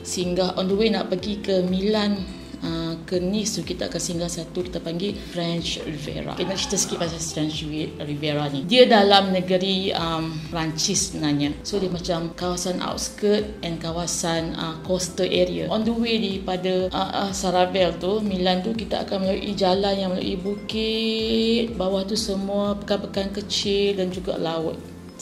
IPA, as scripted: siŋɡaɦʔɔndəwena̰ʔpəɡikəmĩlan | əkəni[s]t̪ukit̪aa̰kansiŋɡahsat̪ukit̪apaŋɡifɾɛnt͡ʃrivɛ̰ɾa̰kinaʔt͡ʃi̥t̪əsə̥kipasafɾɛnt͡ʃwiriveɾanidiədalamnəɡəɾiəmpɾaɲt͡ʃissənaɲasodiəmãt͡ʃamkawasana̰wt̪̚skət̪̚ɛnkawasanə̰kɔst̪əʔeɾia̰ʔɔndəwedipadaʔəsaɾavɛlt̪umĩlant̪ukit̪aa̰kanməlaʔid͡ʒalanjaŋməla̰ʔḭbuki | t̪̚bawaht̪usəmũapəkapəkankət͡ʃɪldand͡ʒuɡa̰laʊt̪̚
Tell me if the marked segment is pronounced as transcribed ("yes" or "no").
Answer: yes